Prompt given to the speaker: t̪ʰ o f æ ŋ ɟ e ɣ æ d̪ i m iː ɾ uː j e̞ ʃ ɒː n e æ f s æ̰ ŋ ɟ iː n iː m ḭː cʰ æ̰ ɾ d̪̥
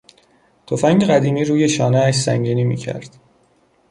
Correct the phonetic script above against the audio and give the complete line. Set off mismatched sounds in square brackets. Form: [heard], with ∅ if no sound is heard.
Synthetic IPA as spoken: t̪ʰ o f æ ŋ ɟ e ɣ æ d̪ [iː] m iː ɾ uː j e̞ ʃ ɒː n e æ [ʃ] s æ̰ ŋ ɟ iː n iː m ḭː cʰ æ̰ ɾ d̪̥